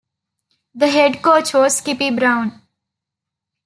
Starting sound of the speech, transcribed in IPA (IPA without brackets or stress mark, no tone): d̪